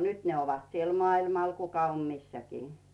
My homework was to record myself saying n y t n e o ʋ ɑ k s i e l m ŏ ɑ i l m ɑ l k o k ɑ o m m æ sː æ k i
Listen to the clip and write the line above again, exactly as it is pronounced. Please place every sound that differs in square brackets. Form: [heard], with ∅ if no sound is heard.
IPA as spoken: n y t n e o ʋ ɑ [t] s i e l m ŏ ɑ i l m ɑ l k [u] k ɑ o m m [i] sː æ k [iː]